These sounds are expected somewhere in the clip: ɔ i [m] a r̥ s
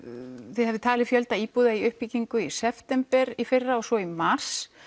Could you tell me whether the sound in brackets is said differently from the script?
no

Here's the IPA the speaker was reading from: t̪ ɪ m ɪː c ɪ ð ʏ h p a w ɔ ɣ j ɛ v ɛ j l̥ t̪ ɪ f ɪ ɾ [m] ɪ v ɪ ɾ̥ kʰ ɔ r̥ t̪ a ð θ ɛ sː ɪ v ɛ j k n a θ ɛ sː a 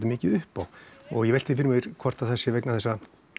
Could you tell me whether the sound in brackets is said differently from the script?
no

